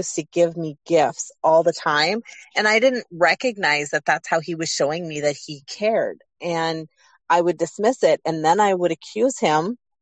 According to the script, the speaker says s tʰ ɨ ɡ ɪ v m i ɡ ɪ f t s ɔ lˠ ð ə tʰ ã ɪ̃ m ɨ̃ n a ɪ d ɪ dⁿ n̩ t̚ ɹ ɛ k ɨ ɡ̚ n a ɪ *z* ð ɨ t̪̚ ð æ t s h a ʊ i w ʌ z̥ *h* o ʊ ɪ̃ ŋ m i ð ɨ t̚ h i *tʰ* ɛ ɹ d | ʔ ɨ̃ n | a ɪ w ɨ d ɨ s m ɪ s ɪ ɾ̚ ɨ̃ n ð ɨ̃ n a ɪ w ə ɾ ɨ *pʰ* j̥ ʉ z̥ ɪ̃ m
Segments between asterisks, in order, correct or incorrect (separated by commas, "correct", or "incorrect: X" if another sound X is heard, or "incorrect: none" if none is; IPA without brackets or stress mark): correct, incorrect: ʃ, incorrect: kʰ, incorrect: kʰ